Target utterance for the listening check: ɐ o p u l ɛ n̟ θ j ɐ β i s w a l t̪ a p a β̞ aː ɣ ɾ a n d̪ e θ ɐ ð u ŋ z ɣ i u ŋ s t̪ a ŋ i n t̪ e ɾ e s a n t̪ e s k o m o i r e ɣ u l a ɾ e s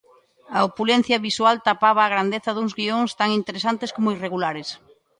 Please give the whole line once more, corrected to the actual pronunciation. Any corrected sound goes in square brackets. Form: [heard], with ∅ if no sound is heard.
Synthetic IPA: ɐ o p u l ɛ n̟ θ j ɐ β i s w a l t̪ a p a β̞ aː ɣ ɾ a n d̪ e θ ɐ ð u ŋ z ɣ i [o] ŋ s t̪ a ŋ i n t̪ e ɾ e s a n t̪ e s k o m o i r e ɣ u l a ɾ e s